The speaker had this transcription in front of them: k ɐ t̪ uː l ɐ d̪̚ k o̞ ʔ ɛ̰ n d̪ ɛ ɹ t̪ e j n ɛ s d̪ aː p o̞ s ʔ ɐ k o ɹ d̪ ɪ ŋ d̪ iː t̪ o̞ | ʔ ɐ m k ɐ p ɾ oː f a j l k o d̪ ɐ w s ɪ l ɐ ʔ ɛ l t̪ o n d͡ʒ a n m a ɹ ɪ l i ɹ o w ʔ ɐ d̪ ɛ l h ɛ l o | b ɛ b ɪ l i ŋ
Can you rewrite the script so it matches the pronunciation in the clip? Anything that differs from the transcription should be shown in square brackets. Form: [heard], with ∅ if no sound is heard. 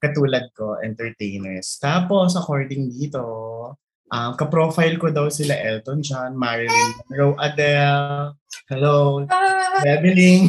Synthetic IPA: k ɐ t̪ uː l ɐ d̪̚ k o̞ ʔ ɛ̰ n [t̪] ɛ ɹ t̪ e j n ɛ s [t̪] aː p o̞ s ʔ ɐ k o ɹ d̪ ɪ ŋ d̪ iː t̪ o̞ | ʔ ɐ m k ɐ p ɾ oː f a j l k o d̪ ɐ w s ɪ l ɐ ʔ ɛ l t̪ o n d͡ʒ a n m a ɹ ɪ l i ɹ o w ʔ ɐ d̪ ɛ l h ɛ l o | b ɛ b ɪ l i ŋ